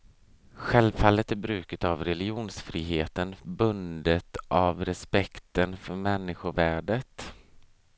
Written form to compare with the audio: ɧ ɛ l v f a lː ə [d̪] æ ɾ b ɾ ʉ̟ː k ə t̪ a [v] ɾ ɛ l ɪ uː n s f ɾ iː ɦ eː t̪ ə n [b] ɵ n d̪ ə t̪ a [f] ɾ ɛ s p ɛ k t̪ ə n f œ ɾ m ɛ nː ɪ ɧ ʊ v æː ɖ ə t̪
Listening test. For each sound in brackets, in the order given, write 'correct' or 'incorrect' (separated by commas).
incorrect, correct, correct, incorrect